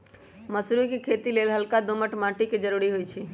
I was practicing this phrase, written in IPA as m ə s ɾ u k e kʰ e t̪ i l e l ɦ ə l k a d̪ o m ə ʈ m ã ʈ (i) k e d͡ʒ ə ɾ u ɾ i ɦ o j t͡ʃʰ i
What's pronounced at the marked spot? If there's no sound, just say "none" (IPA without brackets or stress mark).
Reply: i